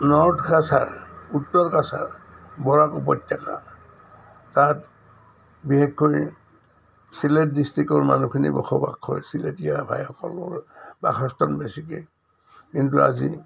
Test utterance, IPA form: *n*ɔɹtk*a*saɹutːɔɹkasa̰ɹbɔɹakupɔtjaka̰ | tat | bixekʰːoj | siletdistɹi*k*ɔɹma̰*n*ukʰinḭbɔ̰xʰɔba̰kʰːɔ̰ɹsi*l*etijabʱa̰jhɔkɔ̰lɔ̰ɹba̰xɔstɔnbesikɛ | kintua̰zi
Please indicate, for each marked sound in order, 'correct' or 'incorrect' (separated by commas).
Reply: correct, correct, correct, correct, correct